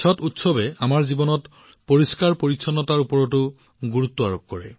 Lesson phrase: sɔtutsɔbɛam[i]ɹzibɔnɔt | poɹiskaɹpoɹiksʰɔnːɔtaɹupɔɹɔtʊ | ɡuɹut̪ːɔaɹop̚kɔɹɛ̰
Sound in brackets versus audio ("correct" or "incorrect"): incorrect